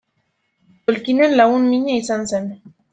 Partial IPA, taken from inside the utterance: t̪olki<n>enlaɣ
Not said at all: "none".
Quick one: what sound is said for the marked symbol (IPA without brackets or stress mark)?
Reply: n